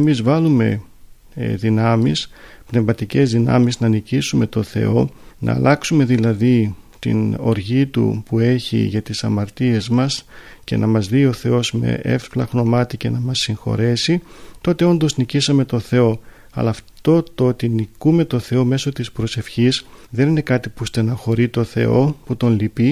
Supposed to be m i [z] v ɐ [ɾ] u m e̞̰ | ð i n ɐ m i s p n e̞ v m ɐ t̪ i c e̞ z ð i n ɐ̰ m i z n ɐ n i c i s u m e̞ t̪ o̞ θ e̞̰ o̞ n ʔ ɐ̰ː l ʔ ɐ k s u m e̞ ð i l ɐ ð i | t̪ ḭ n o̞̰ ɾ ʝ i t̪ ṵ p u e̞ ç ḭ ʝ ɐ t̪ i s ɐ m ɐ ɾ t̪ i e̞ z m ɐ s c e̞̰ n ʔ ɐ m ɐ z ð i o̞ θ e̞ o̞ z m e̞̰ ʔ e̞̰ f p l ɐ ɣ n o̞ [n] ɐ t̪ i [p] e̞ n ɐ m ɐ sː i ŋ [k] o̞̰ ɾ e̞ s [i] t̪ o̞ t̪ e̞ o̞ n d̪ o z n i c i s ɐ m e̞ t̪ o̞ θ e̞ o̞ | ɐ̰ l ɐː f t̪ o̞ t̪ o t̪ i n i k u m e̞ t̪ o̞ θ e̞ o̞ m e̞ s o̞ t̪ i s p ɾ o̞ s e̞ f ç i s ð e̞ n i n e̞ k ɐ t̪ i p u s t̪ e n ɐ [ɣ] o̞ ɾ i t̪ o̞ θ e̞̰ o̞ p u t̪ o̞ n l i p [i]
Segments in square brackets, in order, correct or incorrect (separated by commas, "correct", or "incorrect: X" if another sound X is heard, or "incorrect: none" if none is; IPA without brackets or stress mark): correct, incorrect: l, incorrect: m, incorrect: c, incorrect: x, correct, incorrect: x, correct